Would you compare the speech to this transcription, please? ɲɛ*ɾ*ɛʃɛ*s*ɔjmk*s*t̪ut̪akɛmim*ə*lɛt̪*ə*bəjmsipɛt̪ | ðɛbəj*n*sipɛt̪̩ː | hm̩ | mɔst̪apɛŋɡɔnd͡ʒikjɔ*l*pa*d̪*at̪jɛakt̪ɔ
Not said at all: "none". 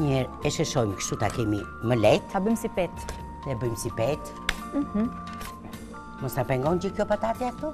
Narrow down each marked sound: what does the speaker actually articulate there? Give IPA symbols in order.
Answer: ɾ, ʃ, ʃ, ə, a, m, none, t̪

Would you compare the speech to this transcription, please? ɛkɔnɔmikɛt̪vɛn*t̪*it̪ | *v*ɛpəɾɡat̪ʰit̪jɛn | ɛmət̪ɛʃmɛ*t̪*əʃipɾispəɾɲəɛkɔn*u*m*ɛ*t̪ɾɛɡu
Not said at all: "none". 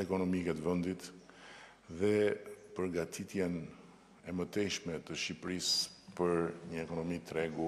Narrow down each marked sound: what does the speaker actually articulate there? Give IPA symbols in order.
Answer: d̪, ð, t̪, ɔ, i

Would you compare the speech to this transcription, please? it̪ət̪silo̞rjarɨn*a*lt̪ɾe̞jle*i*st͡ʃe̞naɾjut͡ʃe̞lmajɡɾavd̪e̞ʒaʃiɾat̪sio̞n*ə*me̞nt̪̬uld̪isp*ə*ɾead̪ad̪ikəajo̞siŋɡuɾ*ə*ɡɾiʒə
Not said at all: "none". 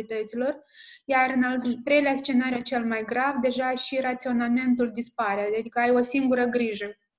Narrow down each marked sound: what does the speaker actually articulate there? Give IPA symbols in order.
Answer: a, a, a, a, ə

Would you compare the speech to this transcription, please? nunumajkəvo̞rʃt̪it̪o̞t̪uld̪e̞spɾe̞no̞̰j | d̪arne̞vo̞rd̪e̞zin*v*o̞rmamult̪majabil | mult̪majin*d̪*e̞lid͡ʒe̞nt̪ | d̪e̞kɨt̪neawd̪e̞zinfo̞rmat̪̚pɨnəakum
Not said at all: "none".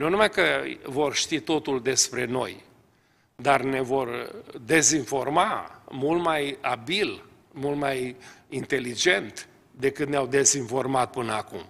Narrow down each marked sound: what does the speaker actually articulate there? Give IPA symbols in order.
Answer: f, t̪

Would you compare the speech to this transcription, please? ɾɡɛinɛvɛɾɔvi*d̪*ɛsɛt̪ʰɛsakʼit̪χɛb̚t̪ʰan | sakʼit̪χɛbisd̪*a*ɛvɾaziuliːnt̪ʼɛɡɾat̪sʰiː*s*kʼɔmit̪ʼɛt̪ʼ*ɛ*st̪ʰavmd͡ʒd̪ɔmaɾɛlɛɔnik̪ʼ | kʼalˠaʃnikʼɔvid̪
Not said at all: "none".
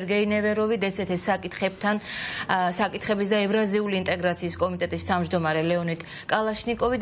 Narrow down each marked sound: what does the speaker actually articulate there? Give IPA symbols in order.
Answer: d̪, a, s, i

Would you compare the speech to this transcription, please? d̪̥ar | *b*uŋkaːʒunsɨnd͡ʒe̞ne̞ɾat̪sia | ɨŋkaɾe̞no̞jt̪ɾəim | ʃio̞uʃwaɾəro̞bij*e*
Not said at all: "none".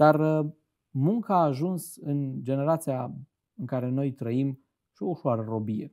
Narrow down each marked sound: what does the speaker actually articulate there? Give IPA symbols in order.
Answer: m, e

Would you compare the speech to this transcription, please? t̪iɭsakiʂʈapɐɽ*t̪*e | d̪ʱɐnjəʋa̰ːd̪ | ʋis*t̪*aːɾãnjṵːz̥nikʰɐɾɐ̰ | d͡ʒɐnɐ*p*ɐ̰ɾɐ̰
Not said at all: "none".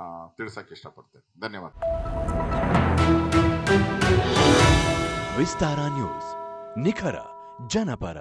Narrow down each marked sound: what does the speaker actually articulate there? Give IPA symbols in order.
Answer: t̪, t̪, p

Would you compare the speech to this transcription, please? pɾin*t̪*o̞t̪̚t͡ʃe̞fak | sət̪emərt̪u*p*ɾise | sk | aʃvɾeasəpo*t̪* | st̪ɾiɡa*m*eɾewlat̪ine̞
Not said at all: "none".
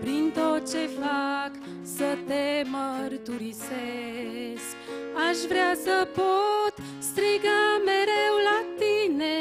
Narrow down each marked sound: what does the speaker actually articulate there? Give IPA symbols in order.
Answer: t̪, none, t̪, m

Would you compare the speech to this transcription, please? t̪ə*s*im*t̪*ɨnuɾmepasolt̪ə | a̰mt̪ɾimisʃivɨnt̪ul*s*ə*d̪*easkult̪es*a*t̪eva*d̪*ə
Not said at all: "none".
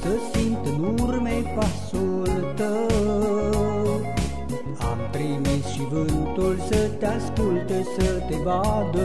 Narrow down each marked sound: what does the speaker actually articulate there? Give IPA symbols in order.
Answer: s, t̪, s, t̪, ə, d̪

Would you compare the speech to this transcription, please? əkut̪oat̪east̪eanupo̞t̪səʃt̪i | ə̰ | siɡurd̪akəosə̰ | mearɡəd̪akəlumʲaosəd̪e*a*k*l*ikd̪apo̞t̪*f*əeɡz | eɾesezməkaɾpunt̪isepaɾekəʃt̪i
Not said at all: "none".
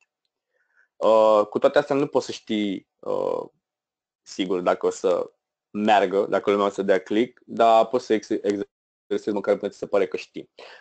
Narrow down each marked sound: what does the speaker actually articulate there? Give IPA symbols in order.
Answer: a, l, s

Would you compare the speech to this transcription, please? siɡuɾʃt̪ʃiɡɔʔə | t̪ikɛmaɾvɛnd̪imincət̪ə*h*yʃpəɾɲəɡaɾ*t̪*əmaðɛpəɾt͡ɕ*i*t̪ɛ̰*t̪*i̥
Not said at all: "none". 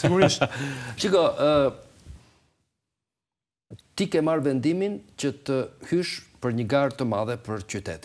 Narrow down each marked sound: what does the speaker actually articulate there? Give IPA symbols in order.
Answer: h, t̪, y, t̪

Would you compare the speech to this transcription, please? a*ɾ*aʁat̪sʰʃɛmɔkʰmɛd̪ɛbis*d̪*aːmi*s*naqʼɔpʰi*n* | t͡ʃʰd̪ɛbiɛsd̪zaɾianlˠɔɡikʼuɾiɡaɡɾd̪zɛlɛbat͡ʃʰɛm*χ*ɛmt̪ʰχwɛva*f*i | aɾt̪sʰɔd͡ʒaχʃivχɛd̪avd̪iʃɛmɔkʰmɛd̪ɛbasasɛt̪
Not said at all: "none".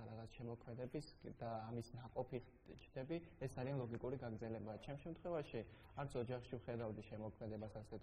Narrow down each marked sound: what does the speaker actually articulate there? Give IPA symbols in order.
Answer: ɾ, d̪, s, none, ʃ, ʃ

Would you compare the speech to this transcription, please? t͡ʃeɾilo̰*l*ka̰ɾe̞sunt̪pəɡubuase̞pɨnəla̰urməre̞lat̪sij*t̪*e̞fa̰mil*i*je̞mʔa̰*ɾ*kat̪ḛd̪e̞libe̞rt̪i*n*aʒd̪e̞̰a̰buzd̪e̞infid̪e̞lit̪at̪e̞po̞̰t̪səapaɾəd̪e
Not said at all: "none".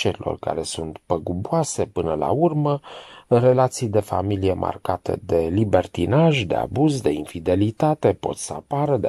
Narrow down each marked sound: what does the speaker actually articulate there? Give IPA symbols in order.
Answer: r, d̪, i, r, n

